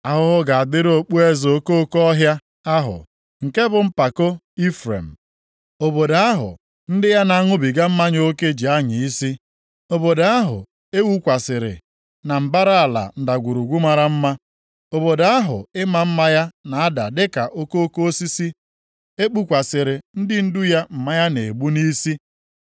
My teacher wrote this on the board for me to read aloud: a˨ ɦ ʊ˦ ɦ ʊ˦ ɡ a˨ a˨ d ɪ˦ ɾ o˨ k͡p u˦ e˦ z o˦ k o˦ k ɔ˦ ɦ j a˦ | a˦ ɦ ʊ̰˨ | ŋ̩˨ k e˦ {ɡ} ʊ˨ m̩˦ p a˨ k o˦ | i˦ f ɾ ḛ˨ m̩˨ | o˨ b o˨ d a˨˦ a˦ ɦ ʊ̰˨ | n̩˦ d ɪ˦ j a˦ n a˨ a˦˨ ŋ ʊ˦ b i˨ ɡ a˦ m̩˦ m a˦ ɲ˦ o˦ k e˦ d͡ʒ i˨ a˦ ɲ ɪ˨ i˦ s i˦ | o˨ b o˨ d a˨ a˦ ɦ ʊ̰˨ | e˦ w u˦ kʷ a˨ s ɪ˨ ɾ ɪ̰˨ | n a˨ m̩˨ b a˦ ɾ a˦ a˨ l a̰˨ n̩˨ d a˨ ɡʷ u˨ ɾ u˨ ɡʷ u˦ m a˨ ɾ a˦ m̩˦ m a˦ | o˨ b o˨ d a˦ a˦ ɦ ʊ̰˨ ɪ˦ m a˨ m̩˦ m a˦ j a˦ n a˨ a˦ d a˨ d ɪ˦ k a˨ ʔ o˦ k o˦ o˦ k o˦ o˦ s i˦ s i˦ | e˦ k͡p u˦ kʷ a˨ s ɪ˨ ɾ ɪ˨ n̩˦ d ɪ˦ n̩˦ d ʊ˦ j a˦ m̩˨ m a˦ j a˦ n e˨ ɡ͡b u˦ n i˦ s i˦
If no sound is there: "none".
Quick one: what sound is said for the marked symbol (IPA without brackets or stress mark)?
b